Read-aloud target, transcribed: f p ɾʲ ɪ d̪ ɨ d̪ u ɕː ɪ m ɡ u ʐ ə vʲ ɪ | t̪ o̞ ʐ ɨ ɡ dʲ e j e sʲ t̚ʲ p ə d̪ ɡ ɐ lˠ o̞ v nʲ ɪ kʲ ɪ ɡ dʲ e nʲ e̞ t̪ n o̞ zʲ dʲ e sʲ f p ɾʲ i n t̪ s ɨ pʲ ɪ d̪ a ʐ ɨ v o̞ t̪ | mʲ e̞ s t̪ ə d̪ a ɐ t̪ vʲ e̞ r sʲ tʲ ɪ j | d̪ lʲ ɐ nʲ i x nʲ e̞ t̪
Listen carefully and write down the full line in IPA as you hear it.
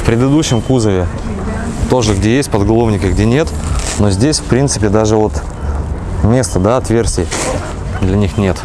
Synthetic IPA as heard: f p ɾʲ ɪ d̪ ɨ d̪ u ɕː ɪ m k u z ə vʲ ɪ | t̪ o̞ ʐ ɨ ɡ dʲ e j e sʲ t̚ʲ p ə d̪ ɡ ɐ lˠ o̞ v nʲ ɪ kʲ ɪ ɡ dʲ e nʲ e̞ t̪ n o̞ zʲ dʲ e sʲ f p ɾʲ i n t̪ s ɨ pʲ ɪ d̪ a ʐ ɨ v o̞ t̪ | mʲ e̞ s t̪ ə d̪ a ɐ t̪ vʲ e̞ r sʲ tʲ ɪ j | d̪ lʲ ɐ nʲ i x nʲ e̞ t̪

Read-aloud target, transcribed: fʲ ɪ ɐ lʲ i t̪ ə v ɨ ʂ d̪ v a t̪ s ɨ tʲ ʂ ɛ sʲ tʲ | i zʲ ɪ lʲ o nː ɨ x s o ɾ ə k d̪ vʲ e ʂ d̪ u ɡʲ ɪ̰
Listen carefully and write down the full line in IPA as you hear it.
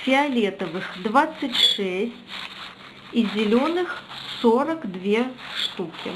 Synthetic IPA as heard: fʲ ɪ ɐ lʲ e t̪ ə v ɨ x d̪ v a t̪ s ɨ tʲ ʂ ɛ sʲ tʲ | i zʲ ɪ lʲ o n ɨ x s o ɾ ə k d̪ vʲ e ʂ t̪ u kʲ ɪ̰

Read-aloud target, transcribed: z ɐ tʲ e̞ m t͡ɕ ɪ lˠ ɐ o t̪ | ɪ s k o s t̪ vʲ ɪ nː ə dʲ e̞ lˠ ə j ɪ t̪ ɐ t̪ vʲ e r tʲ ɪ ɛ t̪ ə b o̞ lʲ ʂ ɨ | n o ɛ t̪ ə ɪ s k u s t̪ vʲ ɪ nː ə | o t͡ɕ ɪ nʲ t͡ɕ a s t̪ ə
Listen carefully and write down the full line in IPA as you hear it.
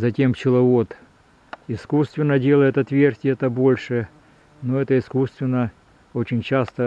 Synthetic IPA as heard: z ɐ tʲ e̞ m t͡ɕ ɪ lˠ ɐ o t̪ | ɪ s k u s t̪ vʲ ɪ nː ə dʲ e̞ lˠ ə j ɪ t̪ ɐ t̪ vʲ e r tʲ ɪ ɛ t̪ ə b o̞ lʲ ʂ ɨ | n o ɛ t̪ ə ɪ s k u s t̪ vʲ ɪ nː ə | o t͡ɕ ɪ nʲ t͡ɕ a s t̪ ə

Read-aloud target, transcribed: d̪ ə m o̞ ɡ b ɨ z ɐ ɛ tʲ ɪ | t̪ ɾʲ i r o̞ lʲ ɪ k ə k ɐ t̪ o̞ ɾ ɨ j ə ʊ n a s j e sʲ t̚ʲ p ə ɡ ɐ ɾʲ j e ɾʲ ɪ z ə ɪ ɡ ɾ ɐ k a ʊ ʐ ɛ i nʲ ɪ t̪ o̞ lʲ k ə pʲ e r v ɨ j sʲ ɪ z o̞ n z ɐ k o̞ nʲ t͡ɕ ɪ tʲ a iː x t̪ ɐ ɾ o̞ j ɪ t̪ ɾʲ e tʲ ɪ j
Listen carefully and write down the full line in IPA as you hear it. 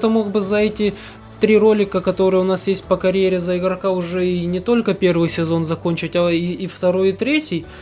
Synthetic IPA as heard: t̪ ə m o̞ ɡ b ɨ z ɐ ɛ tʲ ɪ | t̪ ɾʲ i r o̞ lʲ ɪ k ə k ɐ t̪ o̞ ɾ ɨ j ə ʊ n a s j e sʲ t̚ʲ p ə k ɐ ɾʲ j e ɾʲ ɪ z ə ɪ ɡ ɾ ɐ k a ʊ ʐ ɛ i nʲ ɪ t̪ o̞ lʲ k ə pʲ e r v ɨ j sʲ ɪ z o̞ n z ɐ k o̞ nʲ t͡ɕ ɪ tʲ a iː f t̪ ɐ ɾ o̞ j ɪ t̪ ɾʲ e tʲ ɪ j

